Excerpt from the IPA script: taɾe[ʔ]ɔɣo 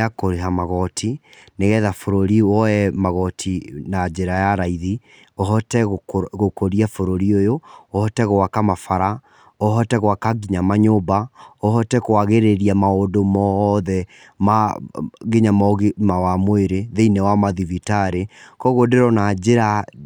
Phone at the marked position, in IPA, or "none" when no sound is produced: k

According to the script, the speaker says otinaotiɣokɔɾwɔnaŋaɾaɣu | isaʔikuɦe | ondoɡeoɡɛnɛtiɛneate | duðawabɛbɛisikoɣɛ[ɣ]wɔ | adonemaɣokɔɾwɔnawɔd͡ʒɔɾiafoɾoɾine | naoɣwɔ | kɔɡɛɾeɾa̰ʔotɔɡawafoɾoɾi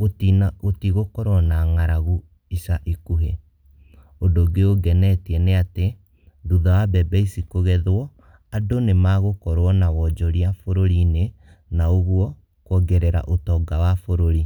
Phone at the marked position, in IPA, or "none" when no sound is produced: ð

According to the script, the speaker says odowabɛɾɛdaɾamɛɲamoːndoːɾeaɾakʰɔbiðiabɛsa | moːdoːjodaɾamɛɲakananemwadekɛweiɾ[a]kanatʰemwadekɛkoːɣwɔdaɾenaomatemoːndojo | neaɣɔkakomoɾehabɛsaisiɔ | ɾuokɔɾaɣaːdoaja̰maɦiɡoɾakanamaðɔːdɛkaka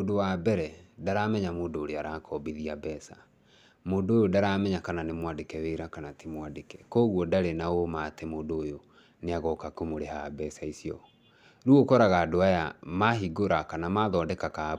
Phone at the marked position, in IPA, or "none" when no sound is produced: a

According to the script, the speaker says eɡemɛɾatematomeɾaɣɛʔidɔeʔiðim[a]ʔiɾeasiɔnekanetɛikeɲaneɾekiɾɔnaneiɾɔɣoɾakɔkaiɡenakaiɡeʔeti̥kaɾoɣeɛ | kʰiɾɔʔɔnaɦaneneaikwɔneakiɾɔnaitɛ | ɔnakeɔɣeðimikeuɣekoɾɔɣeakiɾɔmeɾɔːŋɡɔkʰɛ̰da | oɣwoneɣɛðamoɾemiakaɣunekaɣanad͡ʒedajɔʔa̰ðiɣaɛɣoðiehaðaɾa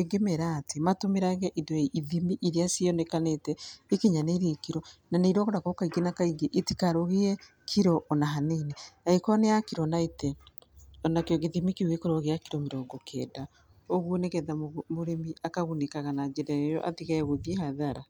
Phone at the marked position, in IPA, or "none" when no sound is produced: i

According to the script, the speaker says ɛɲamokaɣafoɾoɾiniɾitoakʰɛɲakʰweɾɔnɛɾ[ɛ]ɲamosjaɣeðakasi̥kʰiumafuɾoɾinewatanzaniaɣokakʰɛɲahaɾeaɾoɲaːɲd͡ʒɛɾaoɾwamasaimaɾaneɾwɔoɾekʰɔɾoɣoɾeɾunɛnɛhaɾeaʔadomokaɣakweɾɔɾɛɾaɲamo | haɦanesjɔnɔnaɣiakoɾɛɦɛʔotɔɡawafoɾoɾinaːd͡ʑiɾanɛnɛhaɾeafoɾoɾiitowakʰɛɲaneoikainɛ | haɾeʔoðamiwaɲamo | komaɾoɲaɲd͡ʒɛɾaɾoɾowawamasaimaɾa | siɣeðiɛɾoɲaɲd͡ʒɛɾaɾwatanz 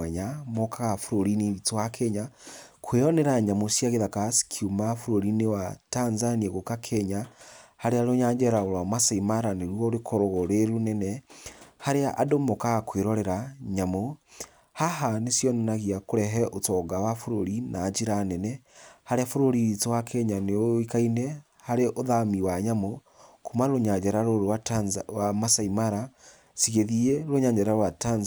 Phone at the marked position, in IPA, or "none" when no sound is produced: a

